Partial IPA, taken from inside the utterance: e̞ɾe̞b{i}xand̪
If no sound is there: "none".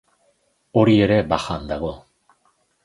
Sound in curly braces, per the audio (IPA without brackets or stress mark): a